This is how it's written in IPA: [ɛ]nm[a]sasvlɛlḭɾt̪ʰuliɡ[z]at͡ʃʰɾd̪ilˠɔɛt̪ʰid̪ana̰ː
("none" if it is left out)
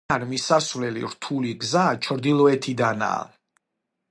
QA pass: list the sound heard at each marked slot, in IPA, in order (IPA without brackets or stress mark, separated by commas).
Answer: a, i, z